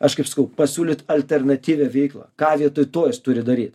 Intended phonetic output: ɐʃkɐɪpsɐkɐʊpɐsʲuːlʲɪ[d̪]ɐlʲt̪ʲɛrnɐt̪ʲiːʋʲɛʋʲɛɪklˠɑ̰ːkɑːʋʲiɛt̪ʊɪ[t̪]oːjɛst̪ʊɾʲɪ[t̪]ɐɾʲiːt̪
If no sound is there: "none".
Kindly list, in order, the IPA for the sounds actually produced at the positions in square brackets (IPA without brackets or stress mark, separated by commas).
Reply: t̪, t̪, d̪